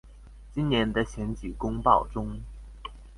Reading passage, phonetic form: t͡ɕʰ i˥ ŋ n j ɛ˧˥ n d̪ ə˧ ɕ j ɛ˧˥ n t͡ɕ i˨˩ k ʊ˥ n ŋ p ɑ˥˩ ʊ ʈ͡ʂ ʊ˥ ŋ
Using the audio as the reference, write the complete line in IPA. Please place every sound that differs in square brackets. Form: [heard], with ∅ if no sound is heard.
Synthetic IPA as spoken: [t͡ɕ] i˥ [n] n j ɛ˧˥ n d̪ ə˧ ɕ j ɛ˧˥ n t͡ɕ i˨˩ k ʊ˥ [∅] ŋ p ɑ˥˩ ʊ ʈ͡ʂ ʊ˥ ŋ